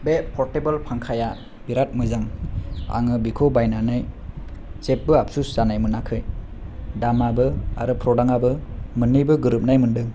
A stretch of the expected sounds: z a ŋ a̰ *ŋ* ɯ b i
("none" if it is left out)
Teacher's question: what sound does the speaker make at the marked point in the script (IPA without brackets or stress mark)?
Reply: ŋ